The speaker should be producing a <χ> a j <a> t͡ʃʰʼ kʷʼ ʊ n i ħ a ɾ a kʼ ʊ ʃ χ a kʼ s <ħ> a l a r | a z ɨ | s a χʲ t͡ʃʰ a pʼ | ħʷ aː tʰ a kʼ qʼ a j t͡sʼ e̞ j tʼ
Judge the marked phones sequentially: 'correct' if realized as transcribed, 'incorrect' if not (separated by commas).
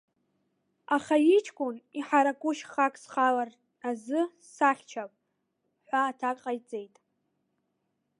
correct, incorrect, incorrect